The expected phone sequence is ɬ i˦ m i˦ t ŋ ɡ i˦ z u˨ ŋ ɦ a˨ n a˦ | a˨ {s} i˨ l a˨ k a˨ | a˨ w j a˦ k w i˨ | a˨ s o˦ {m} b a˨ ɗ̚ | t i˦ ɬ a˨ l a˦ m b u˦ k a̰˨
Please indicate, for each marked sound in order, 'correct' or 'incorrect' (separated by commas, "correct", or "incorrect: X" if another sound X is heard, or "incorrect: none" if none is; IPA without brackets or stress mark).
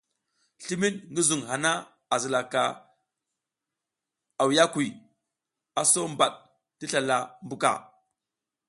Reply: incorrect: z, correct